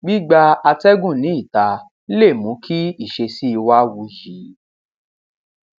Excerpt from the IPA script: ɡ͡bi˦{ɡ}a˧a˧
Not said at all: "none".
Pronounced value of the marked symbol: ɡ͡b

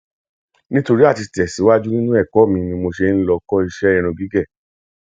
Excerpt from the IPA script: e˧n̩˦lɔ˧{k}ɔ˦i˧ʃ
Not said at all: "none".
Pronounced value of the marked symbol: k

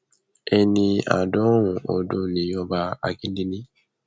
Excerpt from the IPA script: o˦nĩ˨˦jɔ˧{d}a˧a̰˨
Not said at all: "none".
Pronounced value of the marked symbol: b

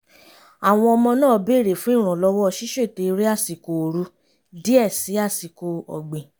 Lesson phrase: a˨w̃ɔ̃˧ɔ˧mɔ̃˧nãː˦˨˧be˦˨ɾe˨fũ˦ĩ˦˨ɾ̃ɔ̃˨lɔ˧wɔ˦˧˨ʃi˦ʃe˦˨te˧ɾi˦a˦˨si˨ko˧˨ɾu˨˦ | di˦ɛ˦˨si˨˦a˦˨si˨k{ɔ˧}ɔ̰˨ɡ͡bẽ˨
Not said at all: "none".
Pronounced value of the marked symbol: o˧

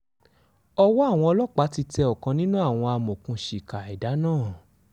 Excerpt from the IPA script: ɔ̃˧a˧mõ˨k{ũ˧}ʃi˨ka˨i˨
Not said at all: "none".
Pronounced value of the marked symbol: ũ˧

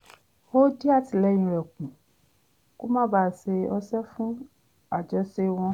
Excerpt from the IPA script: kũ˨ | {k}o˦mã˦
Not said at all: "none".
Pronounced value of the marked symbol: k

